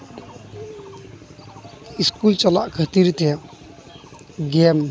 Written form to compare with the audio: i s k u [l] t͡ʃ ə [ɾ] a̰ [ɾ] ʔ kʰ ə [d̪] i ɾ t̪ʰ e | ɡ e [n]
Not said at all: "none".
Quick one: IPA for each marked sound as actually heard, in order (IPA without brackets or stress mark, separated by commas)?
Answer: l, l, none, t̪, m